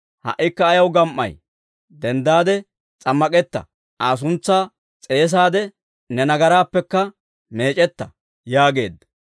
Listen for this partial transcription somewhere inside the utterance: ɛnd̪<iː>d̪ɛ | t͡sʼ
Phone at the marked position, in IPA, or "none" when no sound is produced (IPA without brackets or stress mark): aː